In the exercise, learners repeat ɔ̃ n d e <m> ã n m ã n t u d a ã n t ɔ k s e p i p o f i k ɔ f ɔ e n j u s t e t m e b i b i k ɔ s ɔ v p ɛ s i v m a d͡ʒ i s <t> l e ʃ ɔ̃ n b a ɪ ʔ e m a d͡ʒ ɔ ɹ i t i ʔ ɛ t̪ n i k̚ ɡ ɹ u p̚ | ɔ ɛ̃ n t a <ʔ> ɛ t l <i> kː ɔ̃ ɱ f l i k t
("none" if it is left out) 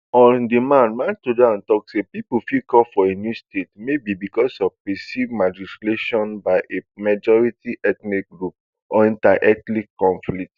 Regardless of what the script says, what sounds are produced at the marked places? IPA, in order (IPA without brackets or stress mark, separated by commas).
m, t, ʔ, i